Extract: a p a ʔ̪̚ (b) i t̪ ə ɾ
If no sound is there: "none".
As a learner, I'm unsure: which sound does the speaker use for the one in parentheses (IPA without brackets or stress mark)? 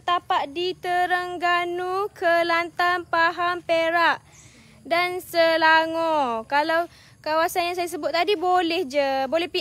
d